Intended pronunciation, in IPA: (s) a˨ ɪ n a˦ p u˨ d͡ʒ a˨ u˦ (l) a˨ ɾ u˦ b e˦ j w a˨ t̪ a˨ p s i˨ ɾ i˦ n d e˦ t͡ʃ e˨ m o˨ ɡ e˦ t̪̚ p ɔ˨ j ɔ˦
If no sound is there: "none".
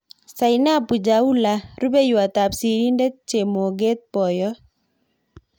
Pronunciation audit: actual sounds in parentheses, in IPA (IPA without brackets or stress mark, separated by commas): s, l